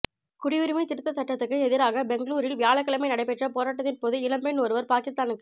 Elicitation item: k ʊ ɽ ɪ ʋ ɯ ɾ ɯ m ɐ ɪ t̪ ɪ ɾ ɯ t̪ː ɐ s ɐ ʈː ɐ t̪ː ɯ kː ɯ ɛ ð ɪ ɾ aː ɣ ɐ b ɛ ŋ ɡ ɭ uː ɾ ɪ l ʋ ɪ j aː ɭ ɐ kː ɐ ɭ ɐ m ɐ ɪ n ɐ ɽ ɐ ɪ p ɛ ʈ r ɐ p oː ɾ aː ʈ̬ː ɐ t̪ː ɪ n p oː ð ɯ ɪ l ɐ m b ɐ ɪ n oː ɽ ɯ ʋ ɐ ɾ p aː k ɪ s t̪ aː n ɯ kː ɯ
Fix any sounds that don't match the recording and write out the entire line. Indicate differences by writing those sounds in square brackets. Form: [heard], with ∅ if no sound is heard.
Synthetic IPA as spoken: k ʊ ɽ ɪ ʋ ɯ ɾ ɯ m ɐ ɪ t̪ ɪ ɾ ɯ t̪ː ɐ s ɐ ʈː ɐ t̪ː ɯ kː ɯ ɛ ð ɪ ɾ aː ɣ ɐ b ɛ ŋ ɡ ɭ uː ɾ ɪ l ʋ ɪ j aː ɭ ɐ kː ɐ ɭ ɐ m ɐ ɪ n ɐ ɽ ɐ ɪ p ɛ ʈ r ɐ p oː ɾ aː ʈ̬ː ɐ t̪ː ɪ n p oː ð ɯ ɪ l ɐ m b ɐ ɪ n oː [ɾ] ɯ ʋ ɐ ɾ p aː k ɪ s t̪ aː n ɯ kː ɯ